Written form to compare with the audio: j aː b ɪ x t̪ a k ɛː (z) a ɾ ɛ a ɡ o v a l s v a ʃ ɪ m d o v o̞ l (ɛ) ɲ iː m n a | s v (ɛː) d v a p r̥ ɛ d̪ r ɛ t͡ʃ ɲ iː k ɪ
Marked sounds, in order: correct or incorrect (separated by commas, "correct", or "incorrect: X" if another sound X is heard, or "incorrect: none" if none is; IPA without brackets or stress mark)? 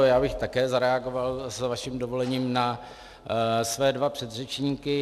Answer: correct, correct, correct